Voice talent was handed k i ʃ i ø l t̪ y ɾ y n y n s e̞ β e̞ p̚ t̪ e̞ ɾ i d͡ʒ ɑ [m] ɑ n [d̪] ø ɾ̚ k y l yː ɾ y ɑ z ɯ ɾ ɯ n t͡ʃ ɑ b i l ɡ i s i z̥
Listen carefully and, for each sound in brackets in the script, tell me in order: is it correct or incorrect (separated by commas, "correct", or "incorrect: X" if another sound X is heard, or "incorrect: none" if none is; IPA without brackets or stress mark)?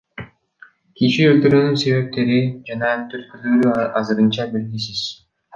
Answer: incorrect: n, incorrect: t̪